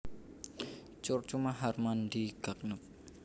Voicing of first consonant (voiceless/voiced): voiceless